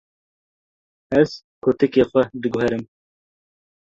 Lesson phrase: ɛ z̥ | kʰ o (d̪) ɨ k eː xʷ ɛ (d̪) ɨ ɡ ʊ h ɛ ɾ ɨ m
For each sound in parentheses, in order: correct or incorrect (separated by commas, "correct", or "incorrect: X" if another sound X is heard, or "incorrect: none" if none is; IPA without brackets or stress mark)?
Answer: incorrect: t̪, correct